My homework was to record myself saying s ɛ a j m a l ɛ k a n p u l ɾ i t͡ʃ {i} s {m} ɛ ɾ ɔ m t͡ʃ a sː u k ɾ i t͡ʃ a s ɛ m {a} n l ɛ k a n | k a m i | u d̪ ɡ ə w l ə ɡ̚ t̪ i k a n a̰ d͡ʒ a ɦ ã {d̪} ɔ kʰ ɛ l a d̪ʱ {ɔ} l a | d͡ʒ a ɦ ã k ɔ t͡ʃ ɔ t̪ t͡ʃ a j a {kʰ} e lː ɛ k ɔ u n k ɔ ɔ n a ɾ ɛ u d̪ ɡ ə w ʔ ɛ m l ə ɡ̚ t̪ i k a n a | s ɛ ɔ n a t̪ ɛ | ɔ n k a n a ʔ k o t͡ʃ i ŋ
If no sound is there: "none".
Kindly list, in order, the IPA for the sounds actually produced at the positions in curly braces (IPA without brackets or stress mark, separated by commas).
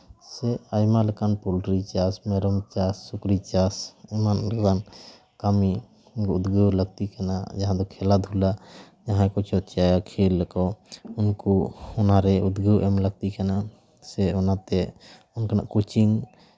a, m, a, d̪, u, kʰ